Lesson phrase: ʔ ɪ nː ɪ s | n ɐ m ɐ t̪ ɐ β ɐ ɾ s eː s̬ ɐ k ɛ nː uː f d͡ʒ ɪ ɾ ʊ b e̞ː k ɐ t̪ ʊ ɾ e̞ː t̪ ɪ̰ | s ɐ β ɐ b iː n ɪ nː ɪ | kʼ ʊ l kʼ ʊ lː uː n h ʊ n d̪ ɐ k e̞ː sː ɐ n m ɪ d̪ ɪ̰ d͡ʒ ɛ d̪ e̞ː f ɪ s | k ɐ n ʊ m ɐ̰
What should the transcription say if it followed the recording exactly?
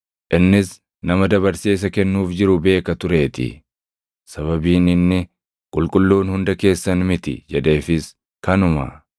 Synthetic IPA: ʔ ɪ nː ɪ s | n ɐ m ɐ d̪ ɐ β ɐ ɾ s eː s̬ ɐ k ɛ nː uː f d͡ʒ ɪ ɾ ʊ b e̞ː k ɐ t̪ ʊ ɾ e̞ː t̪ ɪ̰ | s ɐ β ɐ b iː n ɪ nː ɪ | kʼ ʊ l kʼ ʊ lː uː n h ʊ n d̪ ɐ k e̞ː sː ɐ n m ɪ t̪ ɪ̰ d͡ʒ ɛ d̪ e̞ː f ɪ s | k ɐ n ʊ m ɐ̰